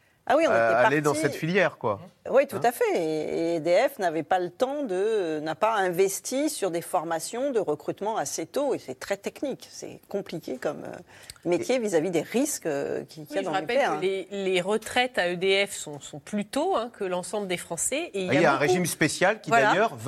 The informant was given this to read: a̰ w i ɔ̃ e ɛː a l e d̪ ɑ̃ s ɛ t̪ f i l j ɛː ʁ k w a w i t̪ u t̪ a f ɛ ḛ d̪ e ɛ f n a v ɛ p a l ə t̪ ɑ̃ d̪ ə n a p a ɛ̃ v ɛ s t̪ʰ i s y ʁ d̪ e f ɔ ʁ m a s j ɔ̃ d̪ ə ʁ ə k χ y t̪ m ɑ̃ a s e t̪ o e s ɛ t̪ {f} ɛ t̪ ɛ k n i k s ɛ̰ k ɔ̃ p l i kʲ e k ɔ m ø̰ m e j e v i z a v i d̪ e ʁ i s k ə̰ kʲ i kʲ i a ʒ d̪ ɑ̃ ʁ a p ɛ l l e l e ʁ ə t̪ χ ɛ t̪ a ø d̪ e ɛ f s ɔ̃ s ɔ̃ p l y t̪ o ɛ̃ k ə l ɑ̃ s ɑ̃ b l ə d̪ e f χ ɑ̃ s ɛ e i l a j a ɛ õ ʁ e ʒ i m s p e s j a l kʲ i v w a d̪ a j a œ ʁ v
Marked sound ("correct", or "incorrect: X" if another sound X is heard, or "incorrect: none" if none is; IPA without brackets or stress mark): incorrect: χ